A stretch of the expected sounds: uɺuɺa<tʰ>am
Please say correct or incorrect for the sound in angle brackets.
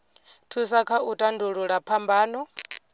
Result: incorrect